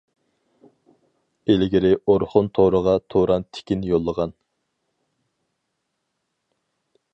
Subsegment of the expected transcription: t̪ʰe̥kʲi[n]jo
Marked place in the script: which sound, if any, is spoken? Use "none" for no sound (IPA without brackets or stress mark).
n